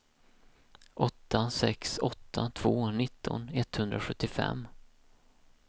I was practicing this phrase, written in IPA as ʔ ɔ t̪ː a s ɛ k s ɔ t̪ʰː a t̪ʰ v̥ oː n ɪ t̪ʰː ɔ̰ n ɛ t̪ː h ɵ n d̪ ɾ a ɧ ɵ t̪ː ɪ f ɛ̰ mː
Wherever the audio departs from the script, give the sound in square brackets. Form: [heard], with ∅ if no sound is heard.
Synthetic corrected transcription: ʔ ɔ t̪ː a s ɛ k s ɔ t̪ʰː a t̪ʰ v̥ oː n ɪ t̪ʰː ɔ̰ n ɛ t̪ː h ɵ n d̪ ɾ a ɧ ɵ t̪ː ɪ f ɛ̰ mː